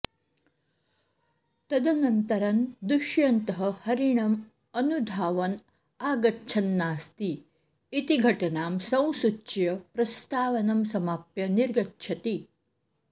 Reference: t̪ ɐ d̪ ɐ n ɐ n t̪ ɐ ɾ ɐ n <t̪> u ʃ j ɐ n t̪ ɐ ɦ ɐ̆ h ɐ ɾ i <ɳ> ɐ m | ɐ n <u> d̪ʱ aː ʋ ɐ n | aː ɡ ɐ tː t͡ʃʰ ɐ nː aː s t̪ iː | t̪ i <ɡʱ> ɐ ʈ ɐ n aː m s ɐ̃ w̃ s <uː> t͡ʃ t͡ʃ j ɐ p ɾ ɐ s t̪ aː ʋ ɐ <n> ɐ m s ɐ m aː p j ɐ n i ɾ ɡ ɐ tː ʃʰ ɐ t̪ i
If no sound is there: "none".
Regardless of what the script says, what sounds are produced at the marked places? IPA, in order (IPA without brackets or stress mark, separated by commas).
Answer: d̪, ɳ, u, ɡʱ, u, n